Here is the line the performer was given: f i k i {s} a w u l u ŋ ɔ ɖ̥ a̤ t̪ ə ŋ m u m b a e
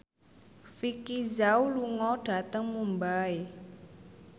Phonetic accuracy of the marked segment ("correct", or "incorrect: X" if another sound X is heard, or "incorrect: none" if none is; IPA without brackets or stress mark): incorrect: z